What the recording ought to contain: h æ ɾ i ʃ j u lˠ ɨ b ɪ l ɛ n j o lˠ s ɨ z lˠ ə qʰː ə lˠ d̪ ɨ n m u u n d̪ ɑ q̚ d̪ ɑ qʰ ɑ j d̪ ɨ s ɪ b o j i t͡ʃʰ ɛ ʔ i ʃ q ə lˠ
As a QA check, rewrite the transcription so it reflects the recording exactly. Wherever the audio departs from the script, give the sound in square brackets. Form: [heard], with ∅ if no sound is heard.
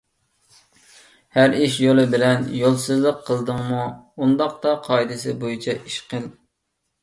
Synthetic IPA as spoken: h æ ɾ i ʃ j [o] lˠ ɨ b ɪ l ɛ n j o lˠ s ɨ z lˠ ə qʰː ə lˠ d̪ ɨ [ŋ] m u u n d̪ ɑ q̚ [t̪] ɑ qʰ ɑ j d̪ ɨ s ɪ b o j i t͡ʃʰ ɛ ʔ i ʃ q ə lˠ